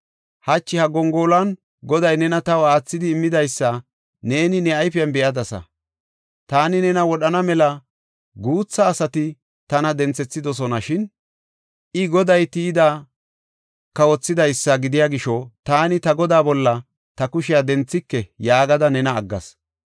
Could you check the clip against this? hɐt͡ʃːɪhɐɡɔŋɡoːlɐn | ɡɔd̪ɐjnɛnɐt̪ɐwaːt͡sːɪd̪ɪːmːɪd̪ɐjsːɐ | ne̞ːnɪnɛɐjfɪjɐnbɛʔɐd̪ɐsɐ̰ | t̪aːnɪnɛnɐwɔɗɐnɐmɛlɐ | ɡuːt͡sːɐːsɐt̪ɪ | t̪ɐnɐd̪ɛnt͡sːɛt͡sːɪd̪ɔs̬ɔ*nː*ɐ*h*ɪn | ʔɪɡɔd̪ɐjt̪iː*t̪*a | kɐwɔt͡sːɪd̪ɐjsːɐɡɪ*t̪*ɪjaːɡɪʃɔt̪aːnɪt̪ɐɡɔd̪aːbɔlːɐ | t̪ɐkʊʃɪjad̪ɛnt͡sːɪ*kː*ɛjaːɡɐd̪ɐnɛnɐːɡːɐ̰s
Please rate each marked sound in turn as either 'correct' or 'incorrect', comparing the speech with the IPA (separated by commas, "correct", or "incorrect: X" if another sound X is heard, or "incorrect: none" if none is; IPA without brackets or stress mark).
incorrect: n, incorrect: ʃ, incorrect: d̪, incorrect: d̪, correct